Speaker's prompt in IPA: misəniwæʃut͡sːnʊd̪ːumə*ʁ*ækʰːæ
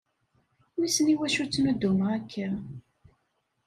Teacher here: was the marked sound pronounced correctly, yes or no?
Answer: yes